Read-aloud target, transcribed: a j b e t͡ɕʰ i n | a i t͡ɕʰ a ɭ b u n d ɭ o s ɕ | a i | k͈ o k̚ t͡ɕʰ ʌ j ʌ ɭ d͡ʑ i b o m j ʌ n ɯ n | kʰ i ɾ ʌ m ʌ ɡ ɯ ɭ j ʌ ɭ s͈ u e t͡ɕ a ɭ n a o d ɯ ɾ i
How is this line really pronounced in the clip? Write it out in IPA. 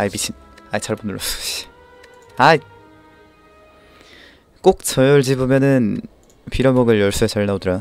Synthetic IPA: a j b i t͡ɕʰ i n | a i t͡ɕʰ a ɭ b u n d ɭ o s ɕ | a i | k͈ o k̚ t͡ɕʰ ʌ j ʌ ɭ d͡ʑ i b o m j ʌ n ɯ n | pʰ i ɾ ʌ m ʌ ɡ ɯ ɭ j ʌ ɭ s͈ u e t͡ɕ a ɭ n a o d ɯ ɾ a